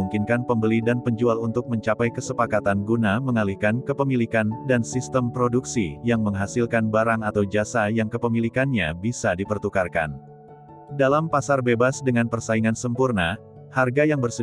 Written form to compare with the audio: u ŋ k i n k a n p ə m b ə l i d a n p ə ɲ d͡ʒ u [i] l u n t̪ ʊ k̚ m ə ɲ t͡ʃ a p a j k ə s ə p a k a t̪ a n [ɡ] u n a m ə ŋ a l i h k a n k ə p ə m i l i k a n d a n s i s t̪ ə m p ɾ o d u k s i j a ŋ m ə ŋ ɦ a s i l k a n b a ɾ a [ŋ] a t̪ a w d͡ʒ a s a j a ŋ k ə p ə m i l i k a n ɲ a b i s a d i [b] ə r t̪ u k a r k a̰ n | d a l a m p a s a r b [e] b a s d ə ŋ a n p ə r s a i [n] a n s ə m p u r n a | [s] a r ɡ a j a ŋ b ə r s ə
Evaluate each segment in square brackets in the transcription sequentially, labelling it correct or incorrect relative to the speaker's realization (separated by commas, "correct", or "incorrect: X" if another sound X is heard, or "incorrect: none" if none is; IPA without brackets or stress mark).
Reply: incorrect: a, correct, correct, incorrect: p, correct, incorrect: ŋ, incorrect: h